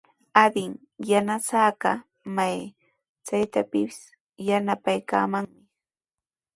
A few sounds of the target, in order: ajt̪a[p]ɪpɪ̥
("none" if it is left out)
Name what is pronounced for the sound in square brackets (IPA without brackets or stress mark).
p